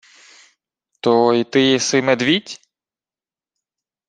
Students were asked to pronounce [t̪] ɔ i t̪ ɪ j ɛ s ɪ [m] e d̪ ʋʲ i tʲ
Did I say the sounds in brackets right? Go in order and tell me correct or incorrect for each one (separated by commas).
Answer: correct, correct